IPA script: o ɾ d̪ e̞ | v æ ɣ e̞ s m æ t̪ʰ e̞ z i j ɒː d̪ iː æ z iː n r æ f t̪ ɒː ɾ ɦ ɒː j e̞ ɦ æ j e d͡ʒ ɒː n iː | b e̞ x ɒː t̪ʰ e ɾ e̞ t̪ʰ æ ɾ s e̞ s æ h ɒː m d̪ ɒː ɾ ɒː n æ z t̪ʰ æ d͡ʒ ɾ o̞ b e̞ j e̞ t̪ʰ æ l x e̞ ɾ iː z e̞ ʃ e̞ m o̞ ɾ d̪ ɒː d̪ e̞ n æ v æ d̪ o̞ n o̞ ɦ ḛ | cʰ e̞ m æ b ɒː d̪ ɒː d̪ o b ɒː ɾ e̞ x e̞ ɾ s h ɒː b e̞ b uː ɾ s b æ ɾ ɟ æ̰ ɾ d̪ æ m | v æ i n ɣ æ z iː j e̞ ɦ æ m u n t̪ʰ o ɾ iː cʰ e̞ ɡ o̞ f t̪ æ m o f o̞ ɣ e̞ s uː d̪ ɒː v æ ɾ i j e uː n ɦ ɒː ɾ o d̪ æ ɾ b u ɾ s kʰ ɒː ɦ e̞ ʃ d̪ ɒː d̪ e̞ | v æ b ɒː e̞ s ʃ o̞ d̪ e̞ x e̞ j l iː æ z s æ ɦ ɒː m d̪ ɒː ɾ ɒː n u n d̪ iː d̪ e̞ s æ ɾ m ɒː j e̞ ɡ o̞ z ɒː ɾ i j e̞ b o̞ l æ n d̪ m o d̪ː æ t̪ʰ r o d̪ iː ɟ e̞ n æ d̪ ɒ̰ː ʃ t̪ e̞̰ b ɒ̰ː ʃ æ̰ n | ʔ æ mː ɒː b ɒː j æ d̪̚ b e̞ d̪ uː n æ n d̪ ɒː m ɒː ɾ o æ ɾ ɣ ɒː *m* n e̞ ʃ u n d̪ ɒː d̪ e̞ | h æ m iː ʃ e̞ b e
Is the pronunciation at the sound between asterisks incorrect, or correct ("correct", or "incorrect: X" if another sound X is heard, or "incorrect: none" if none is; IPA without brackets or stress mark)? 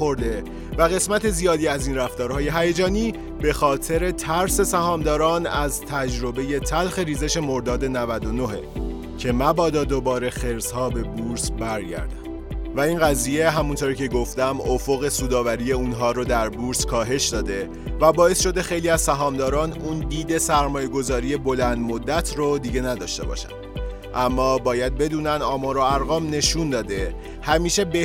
correct